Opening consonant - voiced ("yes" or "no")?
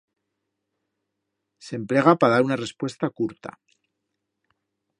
no